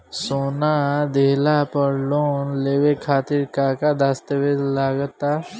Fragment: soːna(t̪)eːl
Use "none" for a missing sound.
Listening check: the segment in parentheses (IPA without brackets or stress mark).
d̪